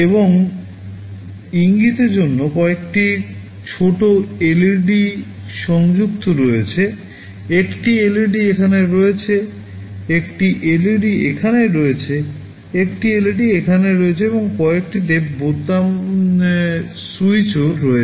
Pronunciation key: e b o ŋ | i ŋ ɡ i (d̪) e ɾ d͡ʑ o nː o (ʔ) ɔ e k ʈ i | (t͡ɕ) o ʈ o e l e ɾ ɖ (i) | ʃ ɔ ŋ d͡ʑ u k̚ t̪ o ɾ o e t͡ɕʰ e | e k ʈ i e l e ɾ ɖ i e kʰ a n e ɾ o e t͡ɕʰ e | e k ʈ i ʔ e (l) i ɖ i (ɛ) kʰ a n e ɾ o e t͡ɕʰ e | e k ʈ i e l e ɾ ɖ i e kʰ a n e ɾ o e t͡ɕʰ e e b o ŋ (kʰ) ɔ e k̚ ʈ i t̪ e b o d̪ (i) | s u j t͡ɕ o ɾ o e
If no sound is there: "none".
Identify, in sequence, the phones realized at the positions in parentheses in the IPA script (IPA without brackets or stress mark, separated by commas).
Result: t̪, k, t͡ɕʰ, i, l, e, k, a